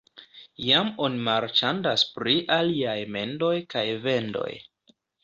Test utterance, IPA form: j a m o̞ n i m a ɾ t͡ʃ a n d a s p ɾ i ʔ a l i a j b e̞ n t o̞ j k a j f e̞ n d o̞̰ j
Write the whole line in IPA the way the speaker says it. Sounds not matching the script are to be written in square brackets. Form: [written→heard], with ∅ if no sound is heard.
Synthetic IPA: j a m o̞ n i m a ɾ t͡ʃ a n d a s p ɾ i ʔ a l i a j [b→m] e̞ n [t→d] o̞ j k a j [f→v] e̞ n d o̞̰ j